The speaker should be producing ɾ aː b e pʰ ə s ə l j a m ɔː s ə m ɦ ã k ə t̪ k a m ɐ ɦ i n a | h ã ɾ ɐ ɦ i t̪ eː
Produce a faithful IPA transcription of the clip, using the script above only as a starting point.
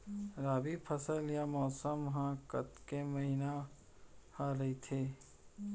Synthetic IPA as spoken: ɾ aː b i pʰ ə s ə l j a m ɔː s ə m ɦ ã k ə t̪ k e m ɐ ɦ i n a | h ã ɾ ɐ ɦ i t̪ʰ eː